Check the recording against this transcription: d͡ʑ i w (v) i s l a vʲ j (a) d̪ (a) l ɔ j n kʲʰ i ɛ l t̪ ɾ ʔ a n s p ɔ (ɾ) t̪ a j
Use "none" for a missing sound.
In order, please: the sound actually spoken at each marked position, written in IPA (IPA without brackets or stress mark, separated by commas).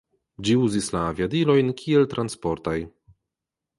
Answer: z, a, i, ɾ